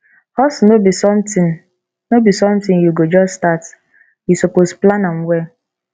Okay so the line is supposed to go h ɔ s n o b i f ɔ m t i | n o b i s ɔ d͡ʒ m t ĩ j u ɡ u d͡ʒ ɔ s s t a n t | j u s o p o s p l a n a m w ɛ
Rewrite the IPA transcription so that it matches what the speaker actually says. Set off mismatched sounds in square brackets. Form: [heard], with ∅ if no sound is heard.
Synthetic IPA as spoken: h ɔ s n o b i [s] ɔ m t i | n o b i s ɔ [∅] m t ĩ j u ɡ [o] d͡ʒ ɔ s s t a [∅] t | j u s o p o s p l a n a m w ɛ